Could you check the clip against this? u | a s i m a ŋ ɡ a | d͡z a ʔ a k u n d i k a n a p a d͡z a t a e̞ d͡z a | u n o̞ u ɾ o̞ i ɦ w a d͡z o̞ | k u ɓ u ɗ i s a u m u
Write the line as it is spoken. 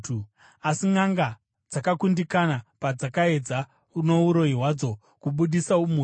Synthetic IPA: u | a s i ŋ a ŋ ɡ a | d͡z a k a k u n d i k a n a p a d͡z a k a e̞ d͡z a | u n o̞ u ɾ o̞ i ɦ w a d͡z o̞ | k u ɓ u ɗ i s a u m u